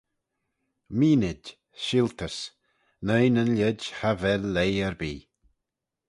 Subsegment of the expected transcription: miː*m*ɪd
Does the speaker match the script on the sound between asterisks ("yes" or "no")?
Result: no